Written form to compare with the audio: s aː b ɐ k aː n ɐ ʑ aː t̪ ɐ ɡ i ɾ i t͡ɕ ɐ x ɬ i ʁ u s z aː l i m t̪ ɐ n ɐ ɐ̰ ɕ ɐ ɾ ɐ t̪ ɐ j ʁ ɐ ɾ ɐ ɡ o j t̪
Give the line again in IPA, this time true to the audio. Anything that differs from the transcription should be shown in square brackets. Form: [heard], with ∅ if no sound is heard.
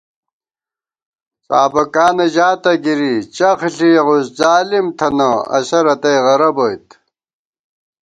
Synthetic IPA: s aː b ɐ k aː n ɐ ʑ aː t̪ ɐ ɡ i ɾ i t͡ɕ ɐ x ɬ i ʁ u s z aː l i m [t̪ʰ] ɐ n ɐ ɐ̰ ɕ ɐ ɾ ɐ t̪ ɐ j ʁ ɐ ɾ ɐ [b] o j t̪

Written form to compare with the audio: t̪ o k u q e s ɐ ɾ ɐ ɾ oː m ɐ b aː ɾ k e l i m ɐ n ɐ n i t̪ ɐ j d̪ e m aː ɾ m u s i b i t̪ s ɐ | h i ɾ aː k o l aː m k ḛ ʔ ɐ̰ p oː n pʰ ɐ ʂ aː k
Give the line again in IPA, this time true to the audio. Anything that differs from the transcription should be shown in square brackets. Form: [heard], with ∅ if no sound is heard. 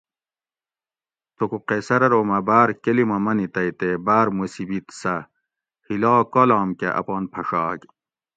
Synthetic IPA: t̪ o k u q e s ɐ ɾ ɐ ɾ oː m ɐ b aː ɾ k e l i m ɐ [m] ɐ n i t̪ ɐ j [t̪] e [b] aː ɾ m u s i b i t̪ s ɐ | h i [l] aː k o l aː m k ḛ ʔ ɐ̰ p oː n pʰ ɐ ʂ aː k

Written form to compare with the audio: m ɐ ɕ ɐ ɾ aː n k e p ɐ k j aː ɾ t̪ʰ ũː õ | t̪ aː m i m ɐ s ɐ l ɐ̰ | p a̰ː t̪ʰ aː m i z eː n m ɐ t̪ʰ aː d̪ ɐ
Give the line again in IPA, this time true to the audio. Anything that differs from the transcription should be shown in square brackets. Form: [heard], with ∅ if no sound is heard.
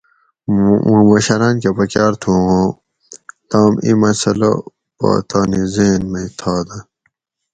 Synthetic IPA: m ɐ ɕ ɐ ɾ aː n k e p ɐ k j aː ɾ t̪ʰ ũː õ | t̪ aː m i m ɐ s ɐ l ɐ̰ | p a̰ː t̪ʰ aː [n] i z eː n m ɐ t̪ʰ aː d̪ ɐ

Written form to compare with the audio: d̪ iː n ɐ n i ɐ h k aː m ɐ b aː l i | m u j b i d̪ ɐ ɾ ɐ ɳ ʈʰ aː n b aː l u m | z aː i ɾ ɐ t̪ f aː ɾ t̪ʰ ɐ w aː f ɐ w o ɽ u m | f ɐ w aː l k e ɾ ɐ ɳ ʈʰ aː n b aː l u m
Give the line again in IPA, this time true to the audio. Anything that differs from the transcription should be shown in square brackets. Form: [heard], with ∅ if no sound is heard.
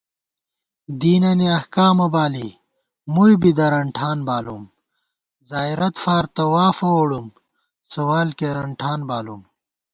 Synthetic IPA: d̪ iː n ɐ n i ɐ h k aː m ɐ b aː l i | m u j b i d̪ ɐ ɾ ɐ ɳ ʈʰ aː n b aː l u m | z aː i ɾ ɐ t̪ f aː ɾ [t̪] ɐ w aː f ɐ w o ɽ u m | [s] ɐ w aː l k e ɾ ɐ ɳ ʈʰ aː n b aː l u m

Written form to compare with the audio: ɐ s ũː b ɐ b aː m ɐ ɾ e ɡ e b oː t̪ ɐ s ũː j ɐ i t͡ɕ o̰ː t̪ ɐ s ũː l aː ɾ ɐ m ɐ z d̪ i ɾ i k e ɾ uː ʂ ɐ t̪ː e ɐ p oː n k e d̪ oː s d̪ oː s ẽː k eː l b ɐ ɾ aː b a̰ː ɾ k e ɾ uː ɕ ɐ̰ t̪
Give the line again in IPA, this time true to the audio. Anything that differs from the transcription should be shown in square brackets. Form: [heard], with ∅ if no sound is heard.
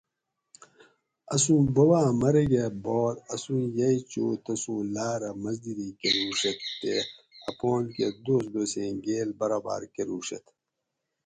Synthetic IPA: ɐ s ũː b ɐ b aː m ɐ ɾ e ɡ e b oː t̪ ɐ s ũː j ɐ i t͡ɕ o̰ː t̪ ɐ s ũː l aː ɾ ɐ m ɐ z d̪ i ɾ i k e ɾ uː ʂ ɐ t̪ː e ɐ p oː n k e d̪ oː s d̪ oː s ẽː [ɡ] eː l b ɐ ɾ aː b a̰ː ɾ k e ɾ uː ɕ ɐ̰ t̪

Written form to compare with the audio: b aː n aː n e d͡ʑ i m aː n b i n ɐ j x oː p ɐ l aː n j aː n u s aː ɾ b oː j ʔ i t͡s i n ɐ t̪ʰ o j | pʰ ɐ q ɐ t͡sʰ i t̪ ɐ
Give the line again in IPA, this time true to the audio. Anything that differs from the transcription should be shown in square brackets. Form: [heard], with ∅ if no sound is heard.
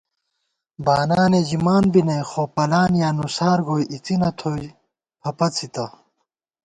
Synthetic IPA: b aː n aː n e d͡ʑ i m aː n b i n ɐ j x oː p ɐ l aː n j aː n u s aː ɾ [ɡ] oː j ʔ i t͡s i n ɐ t̪ʰ o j | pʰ ɐ [p] ɐ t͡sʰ i t̪ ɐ

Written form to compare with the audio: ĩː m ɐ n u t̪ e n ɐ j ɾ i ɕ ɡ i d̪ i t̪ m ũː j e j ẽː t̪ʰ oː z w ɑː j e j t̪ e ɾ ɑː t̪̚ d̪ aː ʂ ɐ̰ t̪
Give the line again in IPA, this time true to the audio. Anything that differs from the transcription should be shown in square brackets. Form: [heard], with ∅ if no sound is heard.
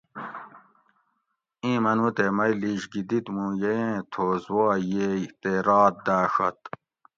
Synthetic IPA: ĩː m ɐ n u t̪ e [m] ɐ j [l] i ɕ ɡ i d̪ i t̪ m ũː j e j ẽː t̪ʰ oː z w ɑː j e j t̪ e ɾ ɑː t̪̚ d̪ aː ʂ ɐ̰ t̪

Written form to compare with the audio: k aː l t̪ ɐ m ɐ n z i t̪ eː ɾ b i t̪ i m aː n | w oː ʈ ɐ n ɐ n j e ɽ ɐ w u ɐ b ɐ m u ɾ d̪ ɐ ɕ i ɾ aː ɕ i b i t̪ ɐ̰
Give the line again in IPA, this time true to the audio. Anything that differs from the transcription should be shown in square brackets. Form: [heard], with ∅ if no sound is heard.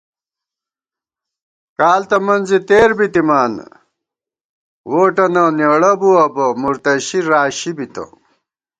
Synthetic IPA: k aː l t̪ ɐ m ɐ n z i t̪ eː ɾ b i t̪ i m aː n | w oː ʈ ɐ n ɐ n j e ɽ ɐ [b] u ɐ b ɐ m u ɾ [t̪] ɐ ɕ i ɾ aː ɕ i b i t̪ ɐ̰

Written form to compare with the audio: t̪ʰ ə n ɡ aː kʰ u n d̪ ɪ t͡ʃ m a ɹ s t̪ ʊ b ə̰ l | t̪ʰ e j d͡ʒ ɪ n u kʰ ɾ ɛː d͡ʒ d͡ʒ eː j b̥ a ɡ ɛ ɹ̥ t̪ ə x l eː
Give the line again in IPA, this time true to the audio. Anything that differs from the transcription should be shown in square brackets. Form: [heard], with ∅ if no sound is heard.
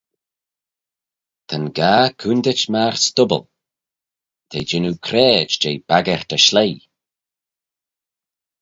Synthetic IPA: t̪ʰ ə n ɡ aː kʰ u n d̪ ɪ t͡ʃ m a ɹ s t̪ ʊ b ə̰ l | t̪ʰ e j d͡ʒ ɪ n u kʰ ɾ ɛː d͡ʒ d͡ʒ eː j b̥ a ɡ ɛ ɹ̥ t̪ ə [ʃ] l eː

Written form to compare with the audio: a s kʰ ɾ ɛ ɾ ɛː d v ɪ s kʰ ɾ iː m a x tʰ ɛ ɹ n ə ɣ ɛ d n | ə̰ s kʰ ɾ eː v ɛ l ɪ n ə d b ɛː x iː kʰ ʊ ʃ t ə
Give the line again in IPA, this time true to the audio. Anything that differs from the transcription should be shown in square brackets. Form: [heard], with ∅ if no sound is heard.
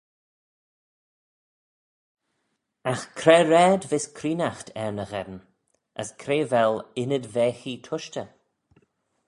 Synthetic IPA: a [x] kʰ ɾ ɛ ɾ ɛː d v ɪ s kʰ ɾ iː [n] a x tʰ ɛ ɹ n ə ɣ ɛ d n | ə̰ s kʰ ɾ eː v ɛ l ɪ n ə d [v] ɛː x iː [tʰ] ʊ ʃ t ə

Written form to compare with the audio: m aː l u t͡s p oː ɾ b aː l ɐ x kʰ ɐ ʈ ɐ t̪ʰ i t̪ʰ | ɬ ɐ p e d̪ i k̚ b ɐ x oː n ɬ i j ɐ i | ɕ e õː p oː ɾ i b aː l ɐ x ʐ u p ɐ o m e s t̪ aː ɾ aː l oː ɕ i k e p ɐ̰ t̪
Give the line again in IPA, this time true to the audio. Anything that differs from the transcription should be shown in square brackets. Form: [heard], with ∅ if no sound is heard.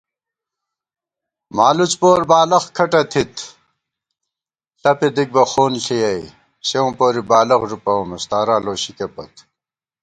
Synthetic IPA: m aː l u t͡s p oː ɾ b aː l ɐ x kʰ ɐ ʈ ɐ t̪ʰ i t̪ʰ | ɬ ɐ p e d̪ i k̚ b ɐ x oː n ɬ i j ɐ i | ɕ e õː p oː ɾ i b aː l ɐ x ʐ u p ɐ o m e s t̪ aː ɾ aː l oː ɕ i k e p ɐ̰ t̪

